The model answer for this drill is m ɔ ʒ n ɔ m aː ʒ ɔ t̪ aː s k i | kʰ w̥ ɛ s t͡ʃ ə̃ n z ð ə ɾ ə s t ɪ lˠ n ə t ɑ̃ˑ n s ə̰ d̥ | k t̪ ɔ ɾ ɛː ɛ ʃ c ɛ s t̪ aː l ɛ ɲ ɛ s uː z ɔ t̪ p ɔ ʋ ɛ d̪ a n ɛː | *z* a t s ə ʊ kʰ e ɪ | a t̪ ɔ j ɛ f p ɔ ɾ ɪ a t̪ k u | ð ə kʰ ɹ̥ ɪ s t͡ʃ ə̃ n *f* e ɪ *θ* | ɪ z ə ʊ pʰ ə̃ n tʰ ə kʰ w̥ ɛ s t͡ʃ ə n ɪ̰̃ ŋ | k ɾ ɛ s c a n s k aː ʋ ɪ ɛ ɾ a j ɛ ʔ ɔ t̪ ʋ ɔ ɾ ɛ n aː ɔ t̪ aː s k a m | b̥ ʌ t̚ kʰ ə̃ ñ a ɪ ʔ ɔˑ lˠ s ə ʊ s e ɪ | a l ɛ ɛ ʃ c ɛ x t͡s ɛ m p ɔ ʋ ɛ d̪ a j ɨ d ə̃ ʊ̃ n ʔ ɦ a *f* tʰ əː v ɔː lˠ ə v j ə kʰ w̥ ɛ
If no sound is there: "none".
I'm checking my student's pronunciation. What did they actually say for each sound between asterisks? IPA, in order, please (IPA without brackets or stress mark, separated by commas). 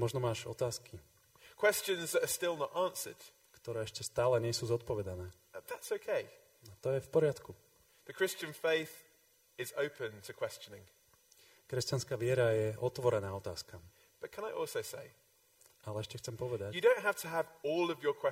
ð, f, θ, f